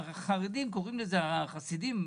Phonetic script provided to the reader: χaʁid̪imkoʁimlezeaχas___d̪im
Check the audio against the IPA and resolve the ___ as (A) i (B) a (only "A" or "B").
A